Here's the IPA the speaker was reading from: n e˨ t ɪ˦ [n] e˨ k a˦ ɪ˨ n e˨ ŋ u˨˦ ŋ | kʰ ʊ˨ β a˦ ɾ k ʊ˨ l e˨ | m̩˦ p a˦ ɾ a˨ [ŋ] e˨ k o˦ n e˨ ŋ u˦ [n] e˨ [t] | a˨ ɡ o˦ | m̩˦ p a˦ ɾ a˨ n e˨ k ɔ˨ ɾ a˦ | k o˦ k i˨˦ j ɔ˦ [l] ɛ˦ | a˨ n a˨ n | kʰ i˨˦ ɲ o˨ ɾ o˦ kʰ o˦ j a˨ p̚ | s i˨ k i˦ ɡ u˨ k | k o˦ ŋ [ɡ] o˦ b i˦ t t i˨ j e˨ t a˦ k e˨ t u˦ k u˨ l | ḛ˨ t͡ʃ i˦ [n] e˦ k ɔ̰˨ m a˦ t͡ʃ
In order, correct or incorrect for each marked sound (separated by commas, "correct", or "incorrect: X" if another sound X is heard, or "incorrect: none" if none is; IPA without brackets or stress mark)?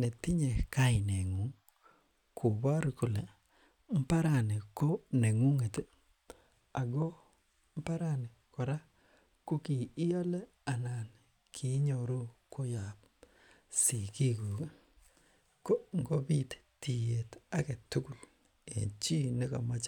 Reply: incorrect: ɲ, incorrect: n, incorrect: ŋ, correct, correct, correct, correct